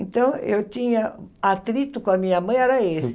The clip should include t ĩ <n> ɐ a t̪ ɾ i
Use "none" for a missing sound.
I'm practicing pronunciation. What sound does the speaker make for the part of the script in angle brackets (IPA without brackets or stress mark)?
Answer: ɲ